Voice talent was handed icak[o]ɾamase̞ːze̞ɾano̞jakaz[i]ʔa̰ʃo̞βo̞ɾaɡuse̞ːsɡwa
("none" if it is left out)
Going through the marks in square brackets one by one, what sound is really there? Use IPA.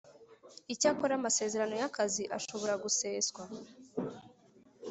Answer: o, i

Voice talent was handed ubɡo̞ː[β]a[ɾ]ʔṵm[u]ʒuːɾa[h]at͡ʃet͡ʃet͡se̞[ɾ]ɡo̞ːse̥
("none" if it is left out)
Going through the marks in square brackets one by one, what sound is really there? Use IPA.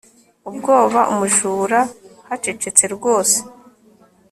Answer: β, none, u, h, ɾ

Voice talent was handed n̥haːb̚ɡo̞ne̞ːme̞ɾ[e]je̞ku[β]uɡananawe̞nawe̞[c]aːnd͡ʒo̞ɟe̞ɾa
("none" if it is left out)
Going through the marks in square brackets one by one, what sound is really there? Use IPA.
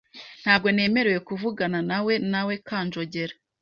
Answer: e, v, k

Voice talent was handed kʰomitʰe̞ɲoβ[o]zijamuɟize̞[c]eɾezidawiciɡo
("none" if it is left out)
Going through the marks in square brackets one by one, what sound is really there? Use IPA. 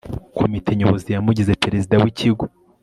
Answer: o, p

